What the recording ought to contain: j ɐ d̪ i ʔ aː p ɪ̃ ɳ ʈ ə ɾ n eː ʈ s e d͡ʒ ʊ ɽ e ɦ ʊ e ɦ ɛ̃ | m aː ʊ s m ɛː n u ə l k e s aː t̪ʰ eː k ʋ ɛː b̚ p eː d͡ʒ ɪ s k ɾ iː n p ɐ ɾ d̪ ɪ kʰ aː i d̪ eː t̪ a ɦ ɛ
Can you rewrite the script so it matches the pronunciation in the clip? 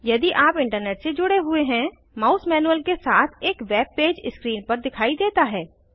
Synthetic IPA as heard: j ɐ d̪ i ʔ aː p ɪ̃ ɳ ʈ ə ɾ n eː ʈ s e d͡ʒ ʊ ɽ e ɦ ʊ e ɦ ɛ̃ | m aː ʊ s m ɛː n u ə l k e s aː t̪ʰ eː k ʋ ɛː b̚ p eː d͡ʒ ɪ s k ɾ iː n p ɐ ɾ d̪ ɪ kʰ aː i d̪ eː t̪ a ɦ ɛː